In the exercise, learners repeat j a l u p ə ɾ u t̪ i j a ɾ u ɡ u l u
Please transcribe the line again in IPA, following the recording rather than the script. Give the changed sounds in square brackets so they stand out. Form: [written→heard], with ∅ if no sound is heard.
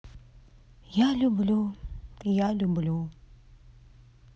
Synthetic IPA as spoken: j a l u [p→b] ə [ɾ→l] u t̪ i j a [ɾ→l] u [ɡ→b] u l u

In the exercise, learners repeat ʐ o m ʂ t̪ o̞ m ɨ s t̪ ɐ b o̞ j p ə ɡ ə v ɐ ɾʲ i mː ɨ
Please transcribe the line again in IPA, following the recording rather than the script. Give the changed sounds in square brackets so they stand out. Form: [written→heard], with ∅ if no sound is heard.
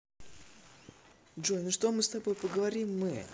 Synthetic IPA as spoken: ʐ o [m→n] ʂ t̪ o̞ m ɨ s t̪ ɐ b o̞ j p ə ɡ ə v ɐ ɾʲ i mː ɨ

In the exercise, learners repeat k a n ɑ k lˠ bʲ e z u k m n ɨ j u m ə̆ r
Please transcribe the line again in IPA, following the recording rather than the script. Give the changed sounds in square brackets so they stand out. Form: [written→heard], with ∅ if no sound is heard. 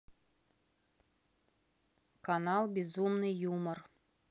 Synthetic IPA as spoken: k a n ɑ [k→∅] lˠ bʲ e z u [k→∅] m n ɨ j u m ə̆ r

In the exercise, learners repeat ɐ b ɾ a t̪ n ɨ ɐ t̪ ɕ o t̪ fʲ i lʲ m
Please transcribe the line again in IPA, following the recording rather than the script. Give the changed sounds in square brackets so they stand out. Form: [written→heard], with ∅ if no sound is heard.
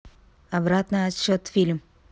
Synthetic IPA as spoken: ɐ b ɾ a t̪ n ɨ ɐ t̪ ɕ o t̪ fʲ i lʲ m

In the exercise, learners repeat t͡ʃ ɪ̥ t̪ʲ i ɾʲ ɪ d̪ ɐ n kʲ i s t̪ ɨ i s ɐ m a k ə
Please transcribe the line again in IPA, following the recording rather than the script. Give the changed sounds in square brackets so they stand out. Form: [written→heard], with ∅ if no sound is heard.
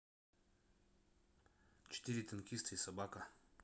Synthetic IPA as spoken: t͡ʃ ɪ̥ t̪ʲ i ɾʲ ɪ [d̪→t̪] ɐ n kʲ i s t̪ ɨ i s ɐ [m→b] a k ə

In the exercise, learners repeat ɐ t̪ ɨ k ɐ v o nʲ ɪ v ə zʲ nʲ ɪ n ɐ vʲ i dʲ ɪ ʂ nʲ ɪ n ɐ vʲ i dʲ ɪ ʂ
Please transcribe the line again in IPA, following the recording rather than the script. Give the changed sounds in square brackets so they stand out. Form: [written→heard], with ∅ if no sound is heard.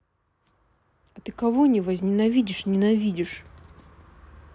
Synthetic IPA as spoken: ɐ t̪ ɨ k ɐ v o nʲ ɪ v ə zʲ nʲ ɪ n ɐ vʲ i dʲ ɪ ʂ nʲ ɪ n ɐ vʲ i dʲ ɪ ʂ

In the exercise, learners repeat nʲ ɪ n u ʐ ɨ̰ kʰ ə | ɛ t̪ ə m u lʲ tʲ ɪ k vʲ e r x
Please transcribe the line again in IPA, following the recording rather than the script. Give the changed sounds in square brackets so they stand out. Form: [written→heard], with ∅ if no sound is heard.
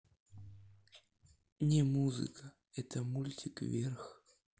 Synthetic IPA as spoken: nʲ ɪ [n→m] u [ʐ→z] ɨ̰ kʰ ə | ɛ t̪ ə m u lʲ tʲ ɪ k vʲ e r x

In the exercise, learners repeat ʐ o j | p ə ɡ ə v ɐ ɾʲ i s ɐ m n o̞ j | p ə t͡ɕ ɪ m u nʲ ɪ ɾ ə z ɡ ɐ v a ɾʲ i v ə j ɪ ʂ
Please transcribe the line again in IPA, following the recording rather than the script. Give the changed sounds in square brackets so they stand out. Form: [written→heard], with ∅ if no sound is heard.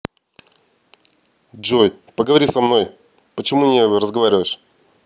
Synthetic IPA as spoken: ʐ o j | p ə ɡ ə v ɐ ɾʲ i s ɐ m n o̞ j | p ə t͡ɕ ɪ m u nʲ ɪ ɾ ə z ɡ ɐ v a ɾʲ [i→ɪ] v ə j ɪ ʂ

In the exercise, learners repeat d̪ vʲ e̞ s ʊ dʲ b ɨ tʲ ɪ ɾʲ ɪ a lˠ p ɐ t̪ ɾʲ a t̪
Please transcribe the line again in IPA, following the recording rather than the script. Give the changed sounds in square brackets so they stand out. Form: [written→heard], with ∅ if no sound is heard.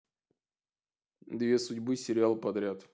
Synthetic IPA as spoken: d̪ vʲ e̞ s ʊ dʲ b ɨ [tʲ→sʲ] ɪ ɾʲ ɪ a lˠ p ɐ [t̪→d̪] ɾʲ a t̪

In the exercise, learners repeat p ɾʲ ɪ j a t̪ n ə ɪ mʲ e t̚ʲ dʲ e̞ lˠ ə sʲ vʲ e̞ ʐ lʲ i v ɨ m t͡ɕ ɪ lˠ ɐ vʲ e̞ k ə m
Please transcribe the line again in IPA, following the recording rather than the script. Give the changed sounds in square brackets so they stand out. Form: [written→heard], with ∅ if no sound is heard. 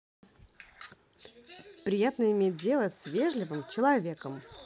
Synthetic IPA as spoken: p ɾʲ ɪ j a t̪ n ə ɪ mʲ e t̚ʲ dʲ e̞ lˠ ə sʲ vʲ e̞ ʐ lʲ [i→ɪ] v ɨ m t͡ɕ ɪ lˠ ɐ vʲ e̞ k ə m

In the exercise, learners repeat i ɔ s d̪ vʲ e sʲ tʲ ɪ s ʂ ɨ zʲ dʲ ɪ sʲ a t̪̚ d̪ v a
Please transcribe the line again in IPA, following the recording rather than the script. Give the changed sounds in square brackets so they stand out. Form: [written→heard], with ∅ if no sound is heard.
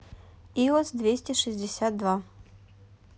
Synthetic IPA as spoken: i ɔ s d̪ vʲ e sʲ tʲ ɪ [s→∅] ʂ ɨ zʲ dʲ ɪ sʲ a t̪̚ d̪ v a

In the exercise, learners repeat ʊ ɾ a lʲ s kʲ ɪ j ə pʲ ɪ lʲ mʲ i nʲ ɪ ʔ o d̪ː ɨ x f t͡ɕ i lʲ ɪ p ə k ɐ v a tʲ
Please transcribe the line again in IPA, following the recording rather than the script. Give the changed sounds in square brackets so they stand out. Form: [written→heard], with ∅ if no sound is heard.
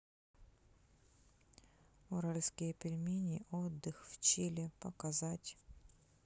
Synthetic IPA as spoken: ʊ ɾ a lʲ s kʲ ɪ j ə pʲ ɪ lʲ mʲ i nʲ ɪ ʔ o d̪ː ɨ x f t͡ɕ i lʲ ɪ p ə k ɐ [v→z] a tʲ

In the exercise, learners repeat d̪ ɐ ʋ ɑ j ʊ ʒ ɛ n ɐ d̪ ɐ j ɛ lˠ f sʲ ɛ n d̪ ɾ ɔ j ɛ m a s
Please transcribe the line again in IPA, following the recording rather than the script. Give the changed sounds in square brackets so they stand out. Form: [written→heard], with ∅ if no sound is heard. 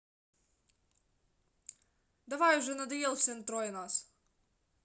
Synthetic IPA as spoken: d̪ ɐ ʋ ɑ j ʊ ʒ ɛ n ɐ d̪ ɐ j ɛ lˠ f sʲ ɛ n [d̪→t̪] ɾ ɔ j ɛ [m→n] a s

